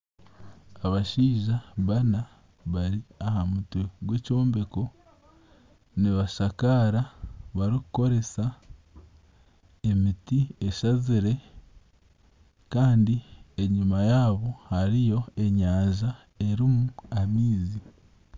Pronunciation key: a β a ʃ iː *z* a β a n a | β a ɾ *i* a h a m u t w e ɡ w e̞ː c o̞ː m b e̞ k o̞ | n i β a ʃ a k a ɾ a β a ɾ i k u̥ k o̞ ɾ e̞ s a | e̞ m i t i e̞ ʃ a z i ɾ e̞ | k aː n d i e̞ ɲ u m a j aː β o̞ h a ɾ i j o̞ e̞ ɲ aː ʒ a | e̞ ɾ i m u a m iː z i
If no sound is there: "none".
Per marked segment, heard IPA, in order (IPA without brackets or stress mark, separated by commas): ʒ, i